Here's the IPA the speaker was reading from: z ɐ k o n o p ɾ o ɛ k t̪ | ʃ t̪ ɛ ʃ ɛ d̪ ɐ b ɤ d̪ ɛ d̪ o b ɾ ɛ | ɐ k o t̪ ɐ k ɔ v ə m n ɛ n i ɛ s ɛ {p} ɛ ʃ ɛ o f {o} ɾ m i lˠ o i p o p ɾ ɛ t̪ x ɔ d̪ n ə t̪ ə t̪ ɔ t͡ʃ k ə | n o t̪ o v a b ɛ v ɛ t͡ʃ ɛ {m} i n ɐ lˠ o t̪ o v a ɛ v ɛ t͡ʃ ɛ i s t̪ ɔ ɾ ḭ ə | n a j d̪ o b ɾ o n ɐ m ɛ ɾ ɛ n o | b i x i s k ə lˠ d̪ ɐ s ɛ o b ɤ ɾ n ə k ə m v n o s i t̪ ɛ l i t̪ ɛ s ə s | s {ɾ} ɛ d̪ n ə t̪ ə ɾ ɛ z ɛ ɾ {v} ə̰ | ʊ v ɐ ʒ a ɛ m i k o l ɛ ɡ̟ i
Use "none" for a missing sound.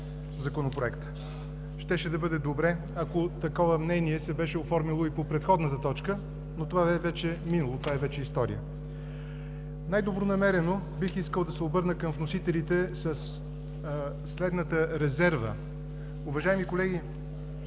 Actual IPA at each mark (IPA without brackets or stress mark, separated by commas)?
b, ɔ, m, l, v